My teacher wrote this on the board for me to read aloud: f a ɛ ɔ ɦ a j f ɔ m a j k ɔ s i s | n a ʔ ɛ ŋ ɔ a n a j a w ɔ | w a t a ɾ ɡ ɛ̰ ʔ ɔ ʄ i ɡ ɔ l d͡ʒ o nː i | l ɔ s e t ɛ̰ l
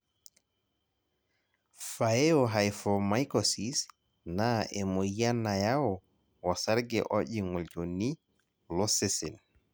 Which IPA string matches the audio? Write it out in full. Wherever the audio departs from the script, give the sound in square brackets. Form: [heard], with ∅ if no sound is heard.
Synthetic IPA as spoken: f a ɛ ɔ ɦ a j f ɔ m a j k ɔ s i s | n a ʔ ɛ [m] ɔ a n a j a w ɔ | w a [s] a ɾ ɡ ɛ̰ ʔ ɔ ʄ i [ŋ] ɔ l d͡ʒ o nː i | l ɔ s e [s] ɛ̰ l